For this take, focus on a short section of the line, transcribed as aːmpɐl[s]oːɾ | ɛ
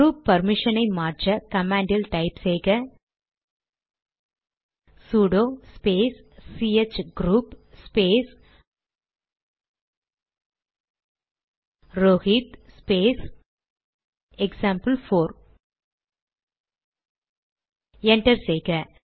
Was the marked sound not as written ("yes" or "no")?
yes